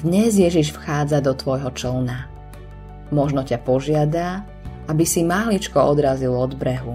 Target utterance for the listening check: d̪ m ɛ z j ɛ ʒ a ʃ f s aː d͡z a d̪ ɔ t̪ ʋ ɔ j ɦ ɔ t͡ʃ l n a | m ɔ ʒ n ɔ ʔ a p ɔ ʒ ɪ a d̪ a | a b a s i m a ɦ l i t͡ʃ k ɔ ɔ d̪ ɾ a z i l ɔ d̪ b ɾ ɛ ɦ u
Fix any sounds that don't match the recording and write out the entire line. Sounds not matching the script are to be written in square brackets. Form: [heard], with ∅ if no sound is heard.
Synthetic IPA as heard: d̪ [ɲ] ɛ z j ɛ ʒ [i] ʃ f [x] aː d͡z a d̪ ɔ t̪ ʋ ɔ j ɦ ɔ t͡ʃ l n a | m ɔ ʒ n ɔ [c] a p ɔ ʒ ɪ a d̪ a | a b [i] s i m a ɦ l i t͡ʃ k ɔ ɔ d̪ ɾ a z i l ɔ d̪ b ɾ ɛ ɦ u